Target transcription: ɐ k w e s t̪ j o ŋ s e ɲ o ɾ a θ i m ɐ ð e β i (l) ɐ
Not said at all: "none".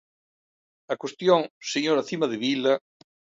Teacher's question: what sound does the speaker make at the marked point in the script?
l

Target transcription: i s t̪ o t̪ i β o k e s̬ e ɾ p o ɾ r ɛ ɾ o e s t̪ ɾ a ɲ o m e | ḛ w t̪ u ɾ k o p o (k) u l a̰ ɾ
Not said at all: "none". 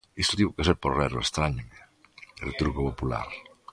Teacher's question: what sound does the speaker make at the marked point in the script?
p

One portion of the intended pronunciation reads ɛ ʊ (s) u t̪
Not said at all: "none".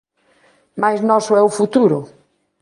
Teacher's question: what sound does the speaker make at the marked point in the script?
f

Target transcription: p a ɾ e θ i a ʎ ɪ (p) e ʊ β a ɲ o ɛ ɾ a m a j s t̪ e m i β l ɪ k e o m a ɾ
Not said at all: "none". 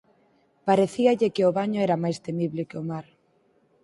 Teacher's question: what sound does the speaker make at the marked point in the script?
k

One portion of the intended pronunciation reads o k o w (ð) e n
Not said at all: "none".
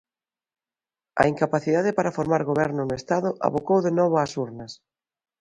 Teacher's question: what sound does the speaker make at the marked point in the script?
ð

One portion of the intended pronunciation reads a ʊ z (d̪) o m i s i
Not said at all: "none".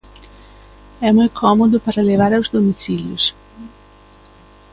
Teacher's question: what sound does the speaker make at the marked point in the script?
d̪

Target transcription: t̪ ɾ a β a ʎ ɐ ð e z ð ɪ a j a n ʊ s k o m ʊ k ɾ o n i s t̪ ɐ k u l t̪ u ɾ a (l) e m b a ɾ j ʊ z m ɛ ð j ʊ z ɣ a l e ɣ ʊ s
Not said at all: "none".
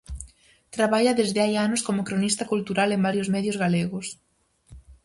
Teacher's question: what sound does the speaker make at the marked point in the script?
l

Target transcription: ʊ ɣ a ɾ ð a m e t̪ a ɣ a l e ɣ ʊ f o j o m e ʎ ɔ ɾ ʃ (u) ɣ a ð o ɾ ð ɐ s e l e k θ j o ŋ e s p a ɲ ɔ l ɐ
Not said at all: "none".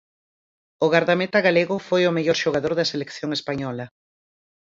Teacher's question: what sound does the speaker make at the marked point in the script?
o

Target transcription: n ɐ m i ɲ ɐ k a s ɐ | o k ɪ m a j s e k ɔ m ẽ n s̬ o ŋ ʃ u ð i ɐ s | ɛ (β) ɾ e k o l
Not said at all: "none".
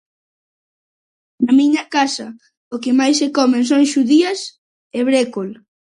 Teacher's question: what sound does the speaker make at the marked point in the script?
β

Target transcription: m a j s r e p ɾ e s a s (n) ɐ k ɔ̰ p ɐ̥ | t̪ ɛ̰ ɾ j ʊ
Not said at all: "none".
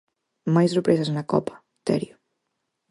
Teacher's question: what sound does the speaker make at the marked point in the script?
n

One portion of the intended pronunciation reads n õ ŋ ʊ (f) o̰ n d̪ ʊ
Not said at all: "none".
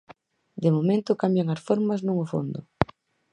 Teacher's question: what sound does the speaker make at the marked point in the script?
f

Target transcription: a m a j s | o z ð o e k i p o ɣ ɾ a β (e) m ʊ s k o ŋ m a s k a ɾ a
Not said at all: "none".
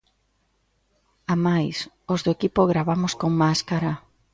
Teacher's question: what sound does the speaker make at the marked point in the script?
a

